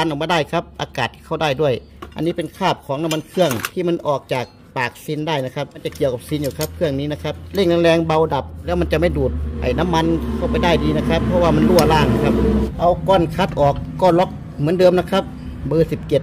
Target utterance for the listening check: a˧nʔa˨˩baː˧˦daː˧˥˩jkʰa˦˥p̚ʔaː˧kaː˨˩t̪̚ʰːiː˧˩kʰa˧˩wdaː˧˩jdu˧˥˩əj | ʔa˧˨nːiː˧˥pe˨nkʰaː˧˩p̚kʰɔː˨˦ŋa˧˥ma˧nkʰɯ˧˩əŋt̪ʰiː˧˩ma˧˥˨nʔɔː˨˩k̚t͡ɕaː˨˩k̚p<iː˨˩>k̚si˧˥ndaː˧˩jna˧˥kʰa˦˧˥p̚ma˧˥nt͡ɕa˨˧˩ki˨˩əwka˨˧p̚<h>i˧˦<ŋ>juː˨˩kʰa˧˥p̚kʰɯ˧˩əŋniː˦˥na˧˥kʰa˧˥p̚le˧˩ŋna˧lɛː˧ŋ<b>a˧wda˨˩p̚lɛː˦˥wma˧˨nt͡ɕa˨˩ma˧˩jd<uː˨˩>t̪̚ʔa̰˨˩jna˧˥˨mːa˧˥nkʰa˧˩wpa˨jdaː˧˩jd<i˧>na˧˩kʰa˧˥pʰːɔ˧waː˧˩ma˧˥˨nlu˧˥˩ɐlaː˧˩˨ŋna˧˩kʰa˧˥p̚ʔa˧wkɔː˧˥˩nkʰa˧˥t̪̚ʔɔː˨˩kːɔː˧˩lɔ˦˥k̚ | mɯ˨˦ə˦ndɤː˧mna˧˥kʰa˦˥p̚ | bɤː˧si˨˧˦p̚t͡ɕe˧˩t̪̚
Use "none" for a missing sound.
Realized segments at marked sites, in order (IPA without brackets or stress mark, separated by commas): aː˨˩, s, n, b, uː˨˩, iː˧